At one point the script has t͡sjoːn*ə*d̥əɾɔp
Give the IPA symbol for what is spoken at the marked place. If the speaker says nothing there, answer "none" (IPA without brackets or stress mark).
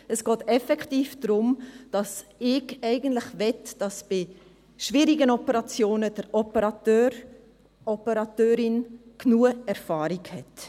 ə